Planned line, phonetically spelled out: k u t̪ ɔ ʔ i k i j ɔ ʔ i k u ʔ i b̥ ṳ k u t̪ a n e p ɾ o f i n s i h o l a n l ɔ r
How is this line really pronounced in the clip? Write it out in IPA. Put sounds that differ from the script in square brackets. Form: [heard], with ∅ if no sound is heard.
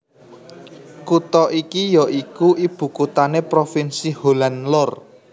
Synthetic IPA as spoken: k u t̪ ɔ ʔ i k i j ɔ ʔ i k u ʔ i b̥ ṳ k u t̪ a n e p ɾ o f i n s i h o l a n l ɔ r